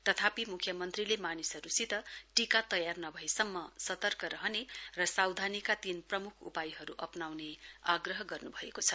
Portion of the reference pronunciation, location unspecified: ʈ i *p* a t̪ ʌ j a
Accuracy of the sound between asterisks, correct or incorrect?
incorrect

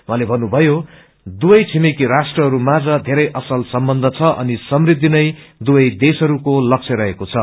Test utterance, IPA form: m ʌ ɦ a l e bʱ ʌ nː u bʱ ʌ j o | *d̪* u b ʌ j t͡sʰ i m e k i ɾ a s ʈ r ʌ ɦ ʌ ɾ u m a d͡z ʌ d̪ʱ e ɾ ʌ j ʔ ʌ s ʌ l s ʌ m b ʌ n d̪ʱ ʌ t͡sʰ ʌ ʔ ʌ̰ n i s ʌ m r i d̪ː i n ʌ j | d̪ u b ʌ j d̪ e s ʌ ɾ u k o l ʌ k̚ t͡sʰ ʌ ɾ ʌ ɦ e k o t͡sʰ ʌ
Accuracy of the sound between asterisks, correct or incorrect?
correct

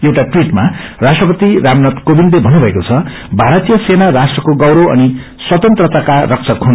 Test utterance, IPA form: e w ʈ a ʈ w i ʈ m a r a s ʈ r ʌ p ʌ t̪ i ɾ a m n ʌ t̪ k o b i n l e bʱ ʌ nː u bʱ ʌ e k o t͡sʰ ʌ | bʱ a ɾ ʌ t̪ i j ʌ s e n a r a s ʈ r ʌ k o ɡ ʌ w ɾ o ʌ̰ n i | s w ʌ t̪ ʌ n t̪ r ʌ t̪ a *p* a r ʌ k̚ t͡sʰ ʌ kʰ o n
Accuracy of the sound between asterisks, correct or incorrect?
incorrect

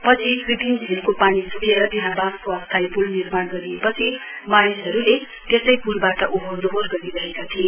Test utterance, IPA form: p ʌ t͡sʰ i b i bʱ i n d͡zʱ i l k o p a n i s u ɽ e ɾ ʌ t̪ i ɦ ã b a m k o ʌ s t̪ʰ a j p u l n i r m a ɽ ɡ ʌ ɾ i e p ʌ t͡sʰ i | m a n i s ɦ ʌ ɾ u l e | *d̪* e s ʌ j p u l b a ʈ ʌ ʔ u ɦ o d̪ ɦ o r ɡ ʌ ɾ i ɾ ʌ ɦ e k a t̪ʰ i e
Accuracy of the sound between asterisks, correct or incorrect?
incorrect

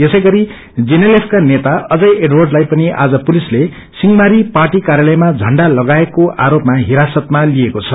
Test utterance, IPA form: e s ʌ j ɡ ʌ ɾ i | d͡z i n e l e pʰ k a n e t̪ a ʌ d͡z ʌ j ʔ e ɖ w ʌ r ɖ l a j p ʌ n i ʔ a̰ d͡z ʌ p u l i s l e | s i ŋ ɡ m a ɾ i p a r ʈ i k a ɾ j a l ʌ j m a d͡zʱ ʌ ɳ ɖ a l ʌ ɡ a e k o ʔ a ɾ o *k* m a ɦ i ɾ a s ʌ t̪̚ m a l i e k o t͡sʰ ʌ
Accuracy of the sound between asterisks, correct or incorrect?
incorrect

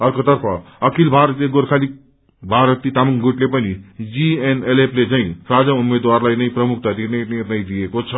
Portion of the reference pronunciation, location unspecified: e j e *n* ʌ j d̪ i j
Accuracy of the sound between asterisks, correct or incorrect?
correct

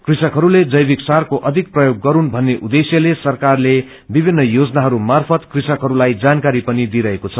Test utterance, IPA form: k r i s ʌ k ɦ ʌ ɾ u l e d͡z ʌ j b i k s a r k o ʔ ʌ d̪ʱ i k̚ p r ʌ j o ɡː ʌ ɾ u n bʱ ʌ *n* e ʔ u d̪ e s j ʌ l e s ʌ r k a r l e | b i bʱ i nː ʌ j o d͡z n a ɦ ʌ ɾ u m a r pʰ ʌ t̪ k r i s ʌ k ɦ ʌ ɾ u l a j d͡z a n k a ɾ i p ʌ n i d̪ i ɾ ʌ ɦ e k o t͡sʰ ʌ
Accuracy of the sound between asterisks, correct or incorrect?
incorrect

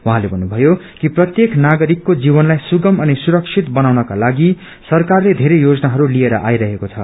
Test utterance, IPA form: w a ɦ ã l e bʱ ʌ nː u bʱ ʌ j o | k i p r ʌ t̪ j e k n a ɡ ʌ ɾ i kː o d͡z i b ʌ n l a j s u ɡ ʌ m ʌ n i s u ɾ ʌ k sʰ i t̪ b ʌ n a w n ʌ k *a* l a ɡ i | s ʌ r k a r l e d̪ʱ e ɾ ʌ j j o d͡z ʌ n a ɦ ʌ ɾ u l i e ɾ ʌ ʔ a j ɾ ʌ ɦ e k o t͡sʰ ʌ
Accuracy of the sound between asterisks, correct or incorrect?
correct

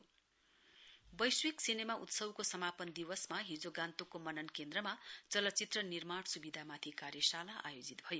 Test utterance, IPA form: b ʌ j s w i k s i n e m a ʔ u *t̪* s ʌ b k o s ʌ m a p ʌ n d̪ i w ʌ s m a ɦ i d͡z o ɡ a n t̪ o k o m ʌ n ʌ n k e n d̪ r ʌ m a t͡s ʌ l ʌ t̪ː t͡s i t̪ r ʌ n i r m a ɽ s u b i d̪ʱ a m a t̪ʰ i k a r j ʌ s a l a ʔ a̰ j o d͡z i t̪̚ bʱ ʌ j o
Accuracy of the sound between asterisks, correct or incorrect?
correct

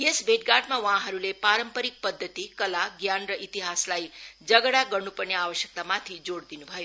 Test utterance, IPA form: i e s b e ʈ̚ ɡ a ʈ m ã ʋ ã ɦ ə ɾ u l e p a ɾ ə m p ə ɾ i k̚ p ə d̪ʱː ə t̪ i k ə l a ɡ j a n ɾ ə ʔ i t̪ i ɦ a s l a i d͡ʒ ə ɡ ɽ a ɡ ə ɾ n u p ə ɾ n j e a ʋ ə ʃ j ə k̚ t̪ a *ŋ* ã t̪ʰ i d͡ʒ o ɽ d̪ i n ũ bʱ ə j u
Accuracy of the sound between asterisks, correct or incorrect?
incorrect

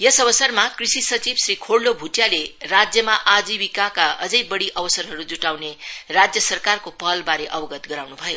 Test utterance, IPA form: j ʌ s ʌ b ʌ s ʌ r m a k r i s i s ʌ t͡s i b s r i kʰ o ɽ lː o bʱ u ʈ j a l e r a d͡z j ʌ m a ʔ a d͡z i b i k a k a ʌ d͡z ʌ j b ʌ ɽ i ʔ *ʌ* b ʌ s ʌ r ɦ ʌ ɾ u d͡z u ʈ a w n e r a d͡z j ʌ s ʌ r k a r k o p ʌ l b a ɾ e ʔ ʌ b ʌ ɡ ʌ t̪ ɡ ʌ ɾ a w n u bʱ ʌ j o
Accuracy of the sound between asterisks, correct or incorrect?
correct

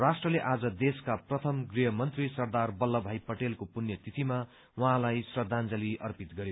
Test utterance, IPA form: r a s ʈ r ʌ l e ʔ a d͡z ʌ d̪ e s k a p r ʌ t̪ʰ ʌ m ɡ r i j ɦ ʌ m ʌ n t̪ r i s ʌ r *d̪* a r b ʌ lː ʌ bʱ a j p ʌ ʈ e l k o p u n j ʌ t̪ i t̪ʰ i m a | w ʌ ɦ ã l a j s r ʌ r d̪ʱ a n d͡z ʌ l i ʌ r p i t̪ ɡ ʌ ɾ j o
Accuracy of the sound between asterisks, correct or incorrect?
correct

